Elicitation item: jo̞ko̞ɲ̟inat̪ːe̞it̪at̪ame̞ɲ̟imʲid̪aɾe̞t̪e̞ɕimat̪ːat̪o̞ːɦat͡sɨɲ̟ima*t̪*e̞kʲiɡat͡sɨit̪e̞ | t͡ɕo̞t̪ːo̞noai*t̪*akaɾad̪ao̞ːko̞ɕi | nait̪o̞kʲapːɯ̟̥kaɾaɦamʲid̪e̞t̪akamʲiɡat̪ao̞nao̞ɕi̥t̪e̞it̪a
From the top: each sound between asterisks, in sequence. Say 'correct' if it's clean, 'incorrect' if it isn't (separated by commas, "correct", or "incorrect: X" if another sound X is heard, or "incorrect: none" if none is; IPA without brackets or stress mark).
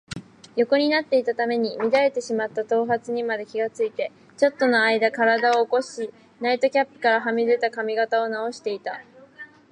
incorrect: d̪, incorrect: d̪